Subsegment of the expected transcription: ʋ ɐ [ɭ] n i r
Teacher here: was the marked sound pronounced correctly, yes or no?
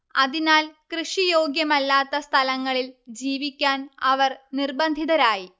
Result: no